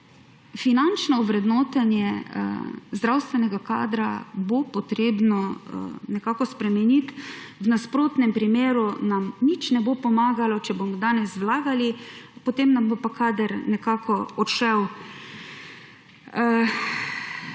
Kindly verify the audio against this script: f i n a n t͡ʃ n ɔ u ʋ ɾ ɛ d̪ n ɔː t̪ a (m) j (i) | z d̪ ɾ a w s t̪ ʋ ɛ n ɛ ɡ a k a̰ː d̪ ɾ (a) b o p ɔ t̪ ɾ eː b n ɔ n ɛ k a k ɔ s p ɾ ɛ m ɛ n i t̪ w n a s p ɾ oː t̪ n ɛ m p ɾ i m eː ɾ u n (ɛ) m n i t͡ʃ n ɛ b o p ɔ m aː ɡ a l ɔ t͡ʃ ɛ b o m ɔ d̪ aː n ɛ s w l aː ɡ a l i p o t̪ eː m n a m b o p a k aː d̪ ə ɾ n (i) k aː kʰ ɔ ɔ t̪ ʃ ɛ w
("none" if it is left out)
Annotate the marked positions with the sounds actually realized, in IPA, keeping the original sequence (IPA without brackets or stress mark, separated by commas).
n, ɛ, a, a, ɛ